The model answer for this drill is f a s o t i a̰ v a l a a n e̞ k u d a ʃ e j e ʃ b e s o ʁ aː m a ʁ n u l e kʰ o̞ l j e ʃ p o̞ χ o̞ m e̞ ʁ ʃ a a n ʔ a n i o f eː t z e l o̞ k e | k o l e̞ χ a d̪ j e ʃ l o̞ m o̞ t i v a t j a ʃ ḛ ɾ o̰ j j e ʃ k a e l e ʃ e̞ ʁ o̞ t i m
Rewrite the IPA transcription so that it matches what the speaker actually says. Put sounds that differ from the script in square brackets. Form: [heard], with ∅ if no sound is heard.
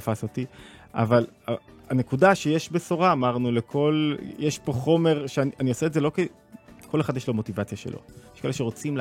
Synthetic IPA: f a s o t i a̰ v a l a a n e̞ k u d a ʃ e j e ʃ b e s o ʁ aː m a ʁ n u l e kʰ o̞ l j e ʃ p o̞ χ o̞ m e̞ ʁ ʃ [e] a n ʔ a n i o [s] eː t z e l o̞ k e | k o l e̞ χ a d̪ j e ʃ l o̞ m o̞ t i v a [t͡s] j a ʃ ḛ [l] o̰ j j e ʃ k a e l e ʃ e̞ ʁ o̞ [t͡s] i m